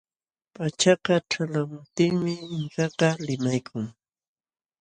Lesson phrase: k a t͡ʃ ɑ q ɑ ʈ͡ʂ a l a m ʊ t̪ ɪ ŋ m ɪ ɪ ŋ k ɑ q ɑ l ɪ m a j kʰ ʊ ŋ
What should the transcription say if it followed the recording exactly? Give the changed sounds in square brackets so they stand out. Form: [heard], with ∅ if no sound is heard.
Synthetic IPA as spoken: [p] a t͡ʃ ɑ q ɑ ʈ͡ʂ a l a m ʊ t̪ ɪ ŋ m ɪ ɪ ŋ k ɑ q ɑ l ɪ m a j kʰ ʊ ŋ